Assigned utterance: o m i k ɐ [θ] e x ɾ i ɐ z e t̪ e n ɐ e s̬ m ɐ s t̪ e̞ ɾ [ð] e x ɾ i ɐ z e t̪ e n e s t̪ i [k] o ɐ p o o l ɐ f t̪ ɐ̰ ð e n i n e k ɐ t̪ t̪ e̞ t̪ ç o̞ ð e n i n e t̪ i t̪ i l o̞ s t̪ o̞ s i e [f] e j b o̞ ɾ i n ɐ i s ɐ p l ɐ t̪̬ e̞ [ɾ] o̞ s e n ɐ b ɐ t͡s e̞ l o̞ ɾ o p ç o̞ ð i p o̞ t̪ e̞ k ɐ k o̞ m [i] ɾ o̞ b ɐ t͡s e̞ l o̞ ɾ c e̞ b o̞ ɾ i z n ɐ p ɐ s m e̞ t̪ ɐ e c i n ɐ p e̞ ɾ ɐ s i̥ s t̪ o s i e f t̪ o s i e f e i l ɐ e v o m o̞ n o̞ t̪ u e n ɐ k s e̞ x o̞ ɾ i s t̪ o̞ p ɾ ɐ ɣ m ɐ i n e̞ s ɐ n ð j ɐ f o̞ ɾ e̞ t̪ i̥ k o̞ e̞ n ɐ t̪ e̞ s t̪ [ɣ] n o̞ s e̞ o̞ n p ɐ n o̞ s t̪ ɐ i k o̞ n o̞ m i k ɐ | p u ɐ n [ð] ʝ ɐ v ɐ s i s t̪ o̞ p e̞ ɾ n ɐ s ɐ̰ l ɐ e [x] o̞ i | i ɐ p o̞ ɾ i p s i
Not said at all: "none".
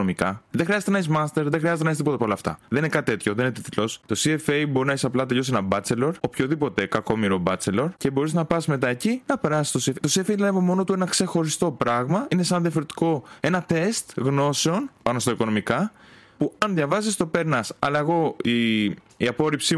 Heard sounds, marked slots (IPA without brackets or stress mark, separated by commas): ð, ð, p, f, ʎ, i, ɣ, ð, ɣ